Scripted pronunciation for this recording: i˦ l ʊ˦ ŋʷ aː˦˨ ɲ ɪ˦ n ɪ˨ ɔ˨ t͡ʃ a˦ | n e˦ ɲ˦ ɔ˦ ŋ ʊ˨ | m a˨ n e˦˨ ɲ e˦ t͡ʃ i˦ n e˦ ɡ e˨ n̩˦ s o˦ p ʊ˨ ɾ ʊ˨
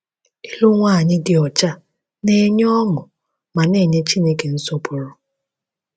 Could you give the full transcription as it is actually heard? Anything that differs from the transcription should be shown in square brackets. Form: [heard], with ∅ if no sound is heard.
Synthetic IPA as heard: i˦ l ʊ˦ ŋʷ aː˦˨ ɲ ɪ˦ [d] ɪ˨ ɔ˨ t͡ʃ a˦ | n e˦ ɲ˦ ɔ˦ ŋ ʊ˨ | m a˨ n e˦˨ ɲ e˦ t͡ʃ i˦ n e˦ [k] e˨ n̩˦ s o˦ p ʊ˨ ɾ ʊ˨